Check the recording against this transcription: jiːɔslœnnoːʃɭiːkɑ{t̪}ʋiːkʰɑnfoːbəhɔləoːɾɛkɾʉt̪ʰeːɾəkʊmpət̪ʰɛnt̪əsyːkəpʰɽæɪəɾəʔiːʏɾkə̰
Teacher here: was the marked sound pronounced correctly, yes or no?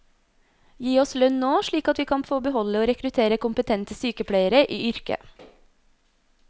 yes